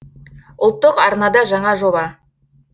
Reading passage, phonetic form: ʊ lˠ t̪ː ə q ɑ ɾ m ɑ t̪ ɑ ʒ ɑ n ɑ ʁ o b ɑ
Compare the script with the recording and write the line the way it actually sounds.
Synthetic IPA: ʊ lˠ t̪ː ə q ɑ ɾ n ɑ d̪ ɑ ʒ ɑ ɴ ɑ ʒ o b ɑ